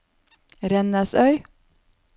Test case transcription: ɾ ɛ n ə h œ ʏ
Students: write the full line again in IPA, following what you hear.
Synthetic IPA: ɾ ɛ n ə s œ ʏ